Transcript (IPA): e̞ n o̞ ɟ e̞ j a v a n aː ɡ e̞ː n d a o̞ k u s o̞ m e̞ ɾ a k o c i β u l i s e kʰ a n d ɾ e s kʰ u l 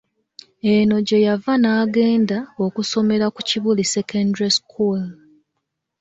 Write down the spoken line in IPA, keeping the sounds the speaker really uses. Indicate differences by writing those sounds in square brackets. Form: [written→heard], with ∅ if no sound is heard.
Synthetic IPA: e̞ n o̞ ɟ e̞ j a v a n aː ɡ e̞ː n d a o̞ k u s o̞ m e̞ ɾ a k [o→u] c i β u l i s e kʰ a n d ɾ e s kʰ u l